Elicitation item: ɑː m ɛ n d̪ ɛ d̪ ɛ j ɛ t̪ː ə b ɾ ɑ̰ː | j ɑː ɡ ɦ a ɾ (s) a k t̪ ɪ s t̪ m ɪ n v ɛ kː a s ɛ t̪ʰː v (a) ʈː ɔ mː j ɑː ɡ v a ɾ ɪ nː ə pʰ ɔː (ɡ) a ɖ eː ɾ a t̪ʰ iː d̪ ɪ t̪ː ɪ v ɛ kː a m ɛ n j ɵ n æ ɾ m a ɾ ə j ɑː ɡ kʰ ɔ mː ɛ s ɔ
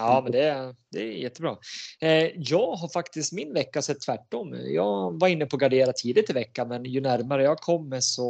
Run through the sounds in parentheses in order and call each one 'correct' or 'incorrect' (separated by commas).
incorrect, incorrect, correct